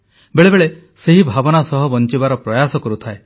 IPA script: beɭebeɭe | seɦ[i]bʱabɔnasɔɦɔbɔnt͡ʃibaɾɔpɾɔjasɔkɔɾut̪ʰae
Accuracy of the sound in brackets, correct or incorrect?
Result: correct